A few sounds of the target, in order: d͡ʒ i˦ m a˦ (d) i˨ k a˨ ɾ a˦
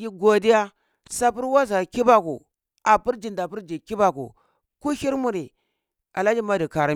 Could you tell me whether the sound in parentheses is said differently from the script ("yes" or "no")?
no